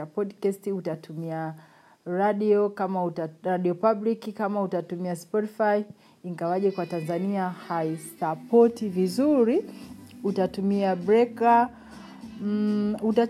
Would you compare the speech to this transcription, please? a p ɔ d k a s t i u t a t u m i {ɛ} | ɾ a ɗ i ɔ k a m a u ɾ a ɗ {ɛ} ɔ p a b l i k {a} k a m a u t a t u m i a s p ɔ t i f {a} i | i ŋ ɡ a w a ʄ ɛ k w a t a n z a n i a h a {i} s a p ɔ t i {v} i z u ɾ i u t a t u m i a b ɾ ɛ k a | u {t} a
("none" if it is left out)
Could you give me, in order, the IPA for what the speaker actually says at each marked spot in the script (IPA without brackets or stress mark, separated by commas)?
a, i, i, a, i, v, t